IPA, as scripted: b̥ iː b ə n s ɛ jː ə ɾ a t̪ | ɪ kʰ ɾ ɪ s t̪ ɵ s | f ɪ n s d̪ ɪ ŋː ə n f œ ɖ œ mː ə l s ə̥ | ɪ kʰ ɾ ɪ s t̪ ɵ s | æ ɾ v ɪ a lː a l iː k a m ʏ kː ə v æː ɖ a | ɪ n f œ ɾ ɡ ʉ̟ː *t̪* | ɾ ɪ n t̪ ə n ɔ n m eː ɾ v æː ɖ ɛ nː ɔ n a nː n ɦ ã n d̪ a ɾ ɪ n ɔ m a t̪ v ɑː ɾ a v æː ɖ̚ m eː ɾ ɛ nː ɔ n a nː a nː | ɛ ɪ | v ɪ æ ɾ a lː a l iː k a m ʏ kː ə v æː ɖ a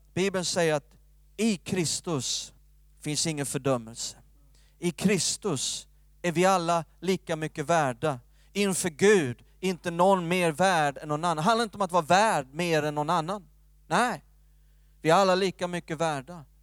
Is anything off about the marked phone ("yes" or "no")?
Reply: yes